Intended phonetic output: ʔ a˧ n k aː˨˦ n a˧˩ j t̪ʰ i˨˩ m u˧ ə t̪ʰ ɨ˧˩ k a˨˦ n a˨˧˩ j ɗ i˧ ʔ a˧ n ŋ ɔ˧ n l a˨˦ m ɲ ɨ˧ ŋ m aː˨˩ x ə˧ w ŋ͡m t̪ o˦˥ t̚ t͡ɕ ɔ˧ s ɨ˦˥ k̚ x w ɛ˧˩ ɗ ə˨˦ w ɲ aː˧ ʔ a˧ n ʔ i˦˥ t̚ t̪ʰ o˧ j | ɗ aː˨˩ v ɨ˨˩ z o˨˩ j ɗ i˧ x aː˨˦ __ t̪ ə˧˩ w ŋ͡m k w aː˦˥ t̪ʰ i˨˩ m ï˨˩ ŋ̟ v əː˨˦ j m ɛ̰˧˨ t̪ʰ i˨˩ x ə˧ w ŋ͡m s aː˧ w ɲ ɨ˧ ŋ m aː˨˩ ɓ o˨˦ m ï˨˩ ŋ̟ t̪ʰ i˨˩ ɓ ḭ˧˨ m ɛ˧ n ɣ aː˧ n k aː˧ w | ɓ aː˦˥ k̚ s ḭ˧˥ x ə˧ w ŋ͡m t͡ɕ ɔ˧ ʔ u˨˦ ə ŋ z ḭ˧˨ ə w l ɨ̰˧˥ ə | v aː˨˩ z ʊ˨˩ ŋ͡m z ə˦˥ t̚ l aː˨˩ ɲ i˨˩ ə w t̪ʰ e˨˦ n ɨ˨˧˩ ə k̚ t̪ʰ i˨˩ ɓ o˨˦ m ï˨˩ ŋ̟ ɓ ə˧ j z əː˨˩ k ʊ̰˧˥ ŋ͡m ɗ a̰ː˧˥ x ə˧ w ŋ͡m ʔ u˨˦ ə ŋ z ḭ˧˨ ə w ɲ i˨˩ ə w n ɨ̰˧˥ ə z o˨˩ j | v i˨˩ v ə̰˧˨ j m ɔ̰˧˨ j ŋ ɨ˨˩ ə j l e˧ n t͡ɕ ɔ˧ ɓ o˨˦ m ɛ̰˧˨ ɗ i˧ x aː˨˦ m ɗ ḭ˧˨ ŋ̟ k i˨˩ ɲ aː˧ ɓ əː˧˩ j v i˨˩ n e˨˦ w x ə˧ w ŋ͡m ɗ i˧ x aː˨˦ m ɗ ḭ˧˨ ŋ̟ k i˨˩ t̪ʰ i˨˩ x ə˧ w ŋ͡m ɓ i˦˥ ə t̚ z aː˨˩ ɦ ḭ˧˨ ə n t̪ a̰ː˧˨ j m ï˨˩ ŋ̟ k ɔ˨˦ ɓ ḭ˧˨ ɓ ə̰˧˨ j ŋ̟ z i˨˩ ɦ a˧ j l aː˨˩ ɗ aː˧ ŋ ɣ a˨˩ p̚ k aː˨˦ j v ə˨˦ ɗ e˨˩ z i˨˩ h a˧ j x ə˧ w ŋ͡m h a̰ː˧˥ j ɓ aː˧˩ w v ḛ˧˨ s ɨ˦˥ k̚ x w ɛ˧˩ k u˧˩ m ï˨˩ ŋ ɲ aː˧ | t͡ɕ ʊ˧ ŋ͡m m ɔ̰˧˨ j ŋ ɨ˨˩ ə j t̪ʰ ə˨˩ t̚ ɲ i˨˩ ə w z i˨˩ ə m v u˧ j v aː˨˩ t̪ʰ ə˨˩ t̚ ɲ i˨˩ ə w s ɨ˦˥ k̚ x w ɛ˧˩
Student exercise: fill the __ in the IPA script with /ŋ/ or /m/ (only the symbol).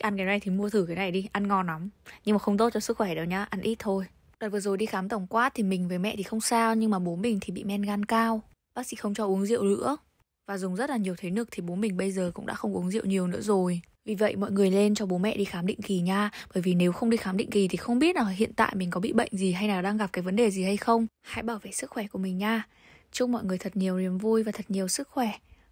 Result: m